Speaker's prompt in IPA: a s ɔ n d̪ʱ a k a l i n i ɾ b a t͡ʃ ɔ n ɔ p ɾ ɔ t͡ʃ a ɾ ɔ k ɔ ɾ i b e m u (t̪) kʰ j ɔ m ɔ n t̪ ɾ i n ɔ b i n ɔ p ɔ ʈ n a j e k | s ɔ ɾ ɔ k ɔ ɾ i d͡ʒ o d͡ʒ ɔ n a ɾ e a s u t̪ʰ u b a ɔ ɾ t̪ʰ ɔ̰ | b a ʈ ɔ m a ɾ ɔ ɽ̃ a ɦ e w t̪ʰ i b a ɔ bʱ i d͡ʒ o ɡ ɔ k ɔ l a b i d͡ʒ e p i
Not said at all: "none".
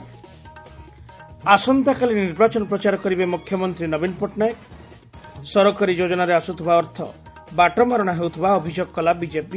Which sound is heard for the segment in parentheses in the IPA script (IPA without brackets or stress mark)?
none